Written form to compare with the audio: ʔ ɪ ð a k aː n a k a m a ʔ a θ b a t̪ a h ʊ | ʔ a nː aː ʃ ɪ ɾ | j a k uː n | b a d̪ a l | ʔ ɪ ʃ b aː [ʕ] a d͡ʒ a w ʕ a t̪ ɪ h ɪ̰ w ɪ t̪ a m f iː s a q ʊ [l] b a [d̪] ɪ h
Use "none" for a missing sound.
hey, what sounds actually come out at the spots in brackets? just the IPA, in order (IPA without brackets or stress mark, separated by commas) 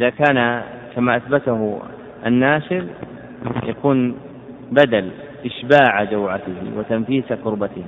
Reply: ʕ, ɾ, t̪